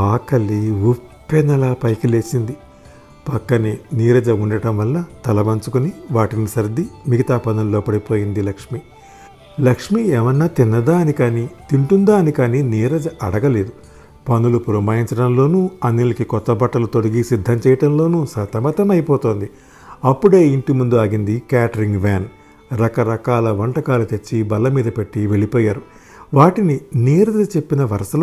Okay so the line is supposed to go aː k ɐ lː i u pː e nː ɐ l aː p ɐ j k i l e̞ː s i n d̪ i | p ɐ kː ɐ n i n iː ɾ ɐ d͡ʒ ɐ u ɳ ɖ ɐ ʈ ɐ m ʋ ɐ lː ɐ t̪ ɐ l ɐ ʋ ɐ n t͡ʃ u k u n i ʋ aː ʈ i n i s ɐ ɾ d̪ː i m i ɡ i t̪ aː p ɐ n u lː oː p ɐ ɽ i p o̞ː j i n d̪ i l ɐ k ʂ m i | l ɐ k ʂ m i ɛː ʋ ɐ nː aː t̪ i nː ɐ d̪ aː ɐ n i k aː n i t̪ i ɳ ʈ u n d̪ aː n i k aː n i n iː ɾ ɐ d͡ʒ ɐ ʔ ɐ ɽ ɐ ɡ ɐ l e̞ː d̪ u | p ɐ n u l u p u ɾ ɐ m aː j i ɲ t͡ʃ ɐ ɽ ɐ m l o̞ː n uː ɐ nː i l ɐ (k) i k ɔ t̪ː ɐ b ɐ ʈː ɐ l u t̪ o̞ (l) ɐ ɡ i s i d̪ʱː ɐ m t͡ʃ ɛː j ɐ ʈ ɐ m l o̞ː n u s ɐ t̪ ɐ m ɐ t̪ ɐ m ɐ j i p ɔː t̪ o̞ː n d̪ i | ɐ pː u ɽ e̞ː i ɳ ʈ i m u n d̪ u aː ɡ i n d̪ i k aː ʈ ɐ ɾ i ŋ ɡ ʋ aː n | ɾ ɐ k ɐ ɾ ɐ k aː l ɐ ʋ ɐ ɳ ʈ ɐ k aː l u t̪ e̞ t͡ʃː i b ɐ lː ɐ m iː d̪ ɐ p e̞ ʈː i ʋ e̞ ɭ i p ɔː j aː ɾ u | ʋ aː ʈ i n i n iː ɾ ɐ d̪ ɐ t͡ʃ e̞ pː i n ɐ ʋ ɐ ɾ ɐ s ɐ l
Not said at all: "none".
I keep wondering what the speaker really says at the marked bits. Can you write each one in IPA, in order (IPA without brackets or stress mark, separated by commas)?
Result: k, ɽ